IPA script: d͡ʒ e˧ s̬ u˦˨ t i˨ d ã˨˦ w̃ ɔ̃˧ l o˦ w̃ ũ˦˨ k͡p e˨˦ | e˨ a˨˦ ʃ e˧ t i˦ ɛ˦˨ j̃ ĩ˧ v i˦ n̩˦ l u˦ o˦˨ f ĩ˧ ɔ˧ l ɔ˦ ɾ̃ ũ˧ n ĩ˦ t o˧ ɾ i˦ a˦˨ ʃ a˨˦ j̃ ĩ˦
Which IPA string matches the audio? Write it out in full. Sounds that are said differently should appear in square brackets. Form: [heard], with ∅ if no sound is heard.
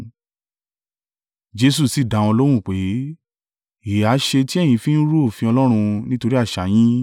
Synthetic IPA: d͡ʒ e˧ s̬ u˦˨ [s] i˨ d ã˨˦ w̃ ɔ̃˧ l o˦ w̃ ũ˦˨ k͡p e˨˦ | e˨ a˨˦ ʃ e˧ t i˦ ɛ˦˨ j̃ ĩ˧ [f] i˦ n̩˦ [ɾ] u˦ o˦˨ f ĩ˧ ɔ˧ l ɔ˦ ɾ̃ ũ˧ n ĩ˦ t o˧ ɾ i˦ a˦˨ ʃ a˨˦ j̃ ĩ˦